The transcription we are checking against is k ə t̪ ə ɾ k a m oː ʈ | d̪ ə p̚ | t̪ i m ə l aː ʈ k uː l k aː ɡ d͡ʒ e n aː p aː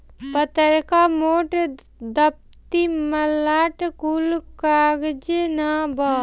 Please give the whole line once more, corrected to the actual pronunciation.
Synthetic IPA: p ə t̪ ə ɾ k a m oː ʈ | d̪ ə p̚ | t̪ i m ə l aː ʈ k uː l k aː ɡ d͡ʒ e n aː b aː